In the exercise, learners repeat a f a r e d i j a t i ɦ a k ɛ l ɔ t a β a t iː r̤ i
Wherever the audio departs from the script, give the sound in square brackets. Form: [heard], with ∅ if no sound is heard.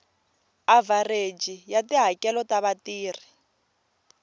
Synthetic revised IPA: a [v] a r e [d͡ʒ] i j a t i ɦ a k ɛ l ɔ t a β a t iː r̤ i